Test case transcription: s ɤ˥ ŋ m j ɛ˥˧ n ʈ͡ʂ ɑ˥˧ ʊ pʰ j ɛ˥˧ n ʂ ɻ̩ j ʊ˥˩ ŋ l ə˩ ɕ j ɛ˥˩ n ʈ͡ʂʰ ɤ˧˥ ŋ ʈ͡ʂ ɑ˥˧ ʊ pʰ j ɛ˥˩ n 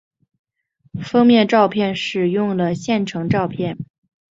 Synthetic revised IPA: f ɤ˥ ŋ m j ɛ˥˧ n ʈ͡ʂ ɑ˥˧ ʊ pʰ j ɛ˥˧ n ʂ ɻ̩ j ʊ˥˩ ŋ l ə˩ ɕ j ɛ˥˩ n ʈ͡ʂʰ ɤ˧˥ ŋ ʈ͡ʂ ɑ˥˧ ʊ pʰ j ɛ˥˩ n